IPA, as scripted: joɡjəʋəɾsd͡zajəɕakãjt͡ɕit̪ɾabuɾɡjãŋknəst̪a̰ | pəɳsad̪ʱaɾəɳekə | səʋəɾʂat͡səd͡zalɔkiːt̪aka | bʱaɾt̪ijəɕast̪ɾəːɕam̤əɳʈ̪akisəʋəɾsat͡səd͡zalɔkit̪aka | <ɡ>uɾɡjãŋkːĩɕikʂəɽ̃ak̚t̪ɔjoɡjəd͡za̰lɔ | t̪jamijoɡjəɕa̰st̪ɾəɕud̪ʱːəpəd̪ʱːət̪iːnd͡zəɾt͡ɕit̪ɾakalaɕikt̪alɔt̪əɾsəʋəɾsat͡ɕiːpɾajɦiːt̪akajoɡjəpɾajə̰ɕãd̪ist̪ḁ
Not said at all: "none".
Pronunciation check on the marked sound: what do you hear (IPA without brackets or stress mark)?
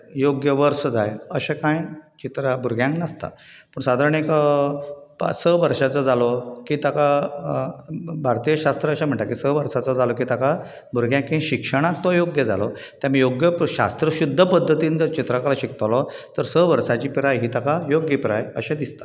b